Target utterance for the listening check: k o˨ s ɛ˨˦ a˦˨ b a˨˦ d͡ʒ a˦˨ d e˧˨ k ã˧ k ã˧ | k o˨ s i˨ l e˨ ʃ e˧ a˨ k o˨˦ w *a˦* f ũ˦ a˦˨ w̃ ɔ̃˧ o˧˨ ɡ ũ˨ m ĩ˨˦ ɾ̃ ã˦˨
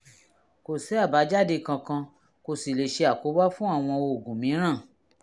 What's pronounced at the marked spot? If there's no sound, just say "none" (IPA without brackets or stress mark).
a˦